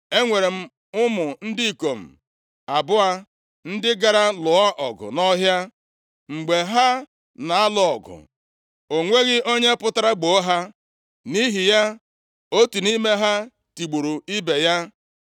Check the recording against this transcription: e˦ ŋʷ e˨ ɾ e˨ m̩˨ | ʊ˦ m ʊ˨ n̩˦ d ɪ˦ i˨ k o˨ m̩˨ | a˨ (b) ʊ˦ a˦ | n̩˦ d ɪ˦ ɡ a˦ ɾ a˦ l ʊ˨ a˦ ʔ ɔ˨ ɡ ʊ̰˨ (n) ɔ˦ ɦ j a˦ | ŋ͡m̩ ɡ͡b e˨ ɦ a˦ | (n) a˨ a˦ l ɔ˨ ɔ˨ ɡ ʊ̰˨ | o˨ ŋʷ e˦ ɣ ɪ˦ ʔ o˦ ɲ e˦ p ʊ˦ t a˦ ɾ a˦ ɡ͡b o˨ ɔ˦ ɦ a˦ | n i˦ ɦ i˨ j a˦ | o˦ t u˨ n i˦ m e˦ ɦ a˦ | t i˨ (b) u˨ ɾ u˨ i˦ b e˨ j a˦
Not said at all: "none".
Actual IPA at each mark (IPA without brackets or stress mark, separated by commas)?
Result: b, n, n, ɡ͡b